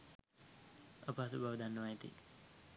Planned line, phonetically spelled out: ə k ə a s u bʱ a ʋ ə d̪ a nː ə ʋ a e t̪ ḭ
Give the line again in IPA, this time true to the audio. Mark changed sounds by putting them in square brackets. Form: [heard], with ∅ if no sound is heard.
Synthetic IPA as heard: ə [p] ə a s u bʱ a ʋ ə d̪ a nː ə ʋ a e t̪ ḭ